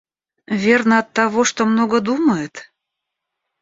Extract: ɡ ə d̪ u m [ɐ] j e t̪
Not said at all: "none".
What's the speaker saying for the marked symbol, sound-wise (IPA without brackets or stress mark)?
ə